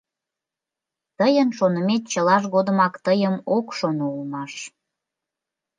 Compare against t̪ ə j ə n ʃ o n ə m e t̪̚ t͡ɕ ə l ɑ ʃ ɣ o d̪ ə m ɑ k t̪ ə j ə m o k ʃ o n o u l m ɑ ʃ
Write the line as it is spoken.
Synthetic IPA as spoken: t̪ ə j ə n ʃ o n ə m e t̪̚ t͡ɕ ə l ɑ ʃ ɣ o d̪ ə m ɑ k t̪ ə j ə m o k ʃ o n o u l m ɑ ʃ

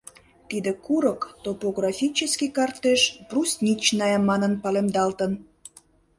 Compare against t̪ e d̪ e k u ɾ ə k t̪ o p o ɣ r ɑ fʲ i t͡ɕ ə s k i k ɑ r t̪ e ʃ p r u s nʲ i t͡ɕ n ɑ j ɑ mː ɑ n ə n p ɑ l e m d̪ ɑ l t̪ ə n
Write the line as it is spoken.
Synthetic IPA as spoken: t̪ i d̪ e k u ɾ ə k t̪ o p o ɣ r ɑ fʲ i t͡ɕ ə s k i k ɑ r t̪ e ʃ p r u s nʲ i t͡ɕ n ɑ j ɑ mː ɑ n ə n p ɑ l e m d̪ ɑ l t̪ ə n

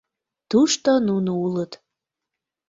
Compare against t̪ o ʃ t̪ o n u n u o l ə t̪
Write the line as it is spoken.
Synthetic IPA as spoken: t̪ u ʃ t̪ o n u n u u l ə t̪

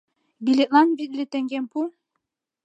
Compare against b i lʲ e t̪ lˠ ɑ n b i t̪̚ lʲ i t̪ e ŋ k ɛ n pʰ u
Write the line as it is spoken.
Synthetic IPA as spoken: b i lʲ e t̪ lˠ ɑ n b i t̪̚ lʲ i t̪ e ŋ ɡ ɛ n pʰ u

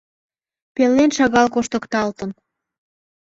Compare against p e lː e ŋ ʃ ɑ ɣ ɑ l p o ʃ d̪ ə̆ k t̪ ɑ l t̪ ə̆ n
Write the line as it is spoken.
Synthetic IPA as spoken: p e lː e n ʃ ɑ ɣ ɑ l k o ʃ t̪ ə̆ k t̪ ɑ l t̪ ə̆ n

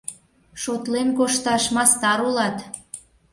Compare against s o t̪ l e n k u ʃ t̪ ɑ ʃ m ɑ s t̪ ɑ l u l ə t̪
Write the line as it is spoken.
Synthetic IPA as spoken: ʃ o t̪ l e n k o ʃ t̪ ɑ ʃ m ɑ s t̪ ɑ ɾ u l ɑ t̪

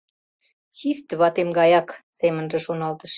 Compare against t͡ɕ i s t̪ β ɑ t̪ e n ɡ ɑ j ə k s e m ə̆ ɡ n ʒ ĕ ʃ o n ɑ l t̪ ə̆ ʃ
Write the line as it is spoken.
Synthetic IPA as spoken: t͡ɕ i s t̪ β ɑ t̪ e m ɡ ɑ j ɑ k s e m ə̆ n ʒ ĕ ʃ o n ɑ l t̪ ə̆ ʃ

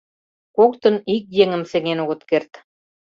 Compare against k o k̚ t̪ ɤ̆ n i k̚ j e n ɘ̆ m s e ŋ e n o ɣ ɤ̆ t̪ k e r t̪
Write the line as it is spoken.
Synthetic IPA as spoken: k o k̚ t̪ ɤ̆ n i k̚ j e ŋ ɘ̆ m s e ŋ e n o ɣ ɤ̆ t̪ k e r t̪

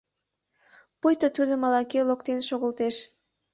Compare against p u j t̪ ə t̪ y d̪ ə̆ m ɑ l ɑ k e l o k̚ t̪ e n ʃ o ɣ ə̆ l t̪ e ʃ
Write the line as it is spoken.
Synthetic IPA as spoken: p u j t̪ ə t̪ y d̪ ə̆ m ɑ l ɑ k e l o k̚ t̪ e n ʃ o ɣ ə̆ l t̪ e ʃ

